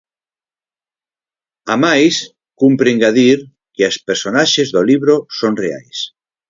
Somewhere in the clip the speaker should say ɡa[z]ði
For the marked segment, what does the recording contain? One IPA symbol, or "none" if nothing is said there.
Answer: none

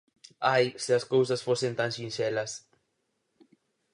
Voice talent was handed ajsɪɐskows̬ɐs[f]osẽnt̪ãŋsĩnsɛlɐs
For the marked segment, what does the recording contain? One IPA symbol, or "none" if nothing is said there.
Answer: f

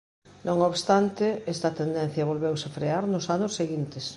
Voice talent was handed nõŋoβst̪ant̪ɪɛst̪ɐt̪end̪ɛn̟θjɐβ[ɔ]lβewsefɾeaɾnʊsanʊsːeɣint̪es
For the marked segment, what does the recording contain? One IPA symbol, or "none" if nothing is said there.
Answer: o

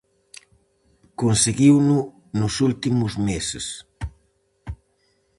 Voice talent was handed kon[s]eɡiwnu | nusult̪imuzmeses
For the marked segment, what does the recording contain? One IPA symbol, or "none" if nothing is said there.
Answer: s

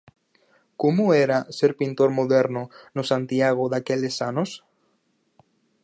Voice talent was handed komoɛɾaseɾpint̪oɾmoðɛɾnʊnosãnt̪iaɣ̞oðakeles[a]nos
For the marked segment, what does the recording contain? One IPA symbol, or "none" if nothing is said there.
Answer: a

